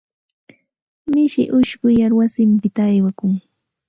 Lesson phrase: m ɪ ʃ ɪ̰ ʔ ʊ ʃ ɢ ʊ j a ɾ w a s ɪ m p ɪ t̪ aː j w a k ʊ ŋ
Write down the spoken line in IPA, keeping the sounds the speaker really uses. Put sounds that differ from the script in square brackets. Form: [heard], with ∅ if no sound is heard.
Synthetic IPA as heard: m ɪ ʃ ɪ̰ ʔ ʊ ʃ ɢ ʊ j a ɾ w a s ɪ m p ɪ t̪ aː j w a k ʊ ŋ